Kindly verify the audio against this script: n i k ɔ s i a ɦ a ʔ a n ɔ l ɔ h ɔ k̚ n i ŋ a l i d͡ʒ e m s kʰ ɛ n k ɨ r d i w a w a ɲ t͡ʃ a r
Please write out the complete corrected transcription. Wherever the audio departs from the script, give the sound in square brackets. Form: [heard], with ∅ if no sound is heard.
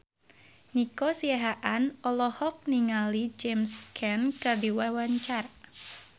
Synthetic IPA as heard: n i k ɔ s i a ɦ a ʔ a n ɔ l ɔ h ɔ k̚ n i ŋ a l i d͡ʒ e m s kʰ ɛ n k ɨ r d i w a w a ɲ t͡ʃ a r